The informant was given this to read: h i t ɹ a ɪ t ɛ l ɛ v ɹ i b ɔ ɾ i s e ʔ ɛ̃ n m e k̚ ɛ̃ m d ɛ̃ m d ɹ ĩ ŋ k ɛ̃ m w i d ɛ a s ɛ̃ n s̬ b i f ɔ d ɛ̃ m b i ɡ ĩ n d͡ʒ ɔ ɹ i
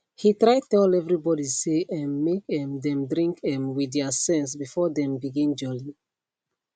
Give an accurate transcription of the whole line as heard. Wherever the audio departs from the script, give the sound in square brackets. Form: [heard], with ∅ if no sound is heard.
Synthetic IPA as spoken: h i t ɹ a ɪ t ɛ l ɛ v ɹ i b ɔ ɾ i s e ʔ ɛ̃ n m e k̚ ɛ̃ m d ɛ̃ m d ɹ ĩ ŋ k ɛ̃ m w i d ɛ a s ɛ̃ n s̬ b i f ɔ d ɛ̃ m b i ɡ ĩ n d͡ʒ ɔ [l] i